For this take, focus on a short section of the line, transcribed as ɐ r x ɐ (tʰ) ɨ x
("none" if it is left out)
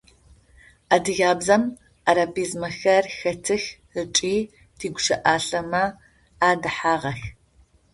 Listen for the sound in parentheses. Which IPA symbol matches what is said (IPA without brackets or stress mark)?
tʰ